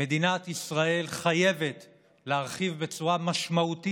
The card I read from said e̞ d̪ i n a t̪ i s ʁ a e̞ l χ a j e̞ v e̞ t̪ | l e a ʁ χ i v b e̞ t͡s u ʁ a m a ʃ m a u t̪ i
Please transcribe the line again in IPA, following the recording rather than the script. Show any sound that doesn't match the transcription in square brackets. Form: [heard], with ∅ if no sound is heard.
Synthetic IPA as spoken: e̞ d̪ i n a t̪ i s ʁ a e̞ l χ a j e̞ v e̞ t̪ | l e a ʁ χ i v b e̞ t͡s u ʁ a m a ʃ m a u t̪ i